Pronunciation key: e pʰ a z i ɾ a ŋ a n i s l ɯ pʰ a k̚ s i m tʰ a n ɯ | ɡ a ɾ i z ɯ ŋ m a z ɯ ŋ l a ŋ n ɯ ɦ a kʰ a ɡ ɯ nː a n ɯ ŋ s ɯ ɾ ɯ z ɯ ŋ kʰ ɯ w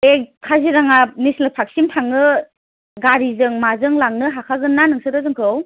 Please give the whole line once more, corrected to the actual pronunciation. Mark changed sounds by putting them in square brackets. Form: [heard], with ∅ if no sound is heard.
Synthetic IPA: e [kʰ] a z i ɾ a ŋ a n i s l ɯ pʰ a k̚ s i m tʰ a [ŋ] ɯ | ɡ a ɾ i z ɯ ŋ m a z ɯ ŋ l a ŋ n ɯ ɦ a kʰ a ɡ ɯ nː a n ɯ ŋ s ɯ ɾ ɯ z ɯ ŋ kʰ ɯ w